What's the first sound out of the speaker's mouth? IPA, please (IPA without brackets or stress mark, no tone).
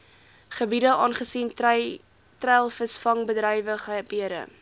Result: χ